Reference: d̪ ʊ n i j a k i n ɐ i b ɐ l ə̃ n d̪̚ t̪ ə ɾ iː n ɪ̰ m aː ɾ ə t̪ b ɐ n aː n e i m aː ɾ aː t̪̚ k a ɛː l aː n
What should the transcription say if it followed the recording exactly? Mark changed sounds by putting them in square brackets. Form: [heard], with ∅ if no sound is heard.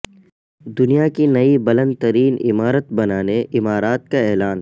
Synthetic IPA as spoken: d̪ ʊ n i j a k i n ɐ i b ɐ l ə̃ n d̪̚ t̪ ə ɾ iː n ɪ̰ m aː ɾ ə t̪ b ɐ n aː n e [ɪ] m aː ɾ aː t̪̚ k a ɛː l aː n